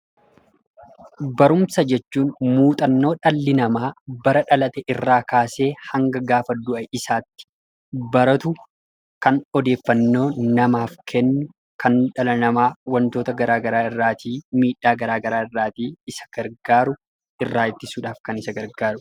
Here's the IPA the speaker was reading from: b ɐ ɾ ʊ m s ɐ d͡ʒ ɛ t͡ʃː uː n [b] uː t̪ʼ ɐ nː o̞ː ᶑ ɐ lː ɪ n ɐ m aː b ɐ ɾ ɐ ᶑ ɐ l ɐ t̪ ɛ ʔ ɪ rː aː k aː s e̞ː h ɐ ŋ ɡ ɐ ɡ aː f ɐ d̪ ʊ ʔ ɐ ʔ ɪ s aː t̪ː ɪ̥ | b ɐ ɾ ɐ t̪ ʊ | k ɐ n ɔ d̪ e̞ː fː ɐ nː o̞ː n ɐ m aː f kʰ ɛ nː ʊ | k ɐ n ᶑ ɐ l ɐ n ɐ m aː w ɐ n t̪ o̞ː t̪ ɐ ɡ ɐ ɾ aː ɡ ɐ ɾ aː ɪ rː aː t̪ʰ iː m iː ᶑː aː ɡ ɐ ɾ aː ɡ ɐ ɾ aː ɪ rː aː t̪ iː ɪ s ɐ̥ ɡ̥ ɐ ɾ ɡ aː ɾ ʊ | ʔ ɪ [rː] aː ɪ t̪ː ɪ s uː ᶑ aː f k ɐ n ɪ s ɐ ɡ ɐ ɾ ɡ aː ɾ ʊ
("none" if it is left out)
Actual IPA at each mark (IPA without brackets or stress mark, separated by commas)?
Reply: m, rː